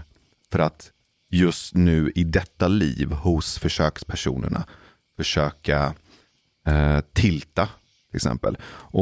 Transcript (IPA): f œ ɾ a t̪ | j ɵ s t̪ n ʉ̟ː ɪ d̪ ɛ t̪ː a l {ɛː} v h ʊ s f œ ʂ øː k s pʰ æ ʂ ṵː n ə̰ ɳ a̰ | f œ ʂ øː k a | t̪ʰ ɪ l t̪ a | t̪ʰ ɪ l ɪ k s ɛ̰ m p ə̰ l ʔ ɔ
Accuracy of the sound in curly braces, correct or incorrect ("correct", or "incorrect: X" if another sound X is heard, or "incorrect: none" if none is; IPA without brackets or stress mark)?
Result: incorrect: iː